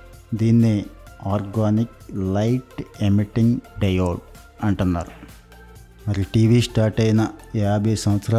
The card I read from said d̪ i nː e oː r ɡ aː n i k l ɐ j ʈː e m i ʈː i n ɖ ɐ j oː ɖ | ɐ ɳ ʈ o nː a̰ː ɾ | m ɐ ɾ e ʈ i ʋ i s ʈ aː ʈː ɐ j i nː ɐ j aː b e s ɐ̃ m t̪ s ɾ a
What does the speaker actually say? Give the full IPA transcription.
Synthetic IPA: d̪ i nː e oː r ɡ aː n i k l ɐ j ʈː e m i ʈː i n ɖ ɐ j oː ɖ | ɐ ɳ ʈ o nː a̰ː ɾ | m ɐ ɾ i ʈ i ʋ i s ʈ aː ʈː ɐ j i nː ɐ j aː b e s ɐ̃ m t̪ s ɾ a